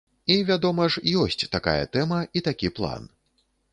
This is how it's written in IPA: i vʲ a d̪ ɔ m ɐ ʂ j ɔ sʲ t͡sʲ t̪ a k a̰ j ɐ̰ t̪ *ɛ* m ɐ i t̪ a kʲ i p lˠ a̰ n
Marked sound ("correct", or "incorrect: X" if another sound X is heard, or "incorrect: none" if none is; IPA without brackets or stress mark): correct